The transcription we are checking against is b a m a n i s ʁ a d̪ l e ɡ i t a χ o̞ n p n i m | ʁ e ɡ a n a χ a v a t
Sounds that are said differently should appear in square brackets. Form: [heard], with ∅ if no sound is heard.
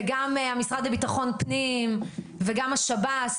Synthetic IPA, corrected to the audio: [ɡ] a m a [m] i s ʁ a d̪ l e [b] i t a χ o̞ n p n i m | [v] e ɡ a [m] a [ʃ] a [b] a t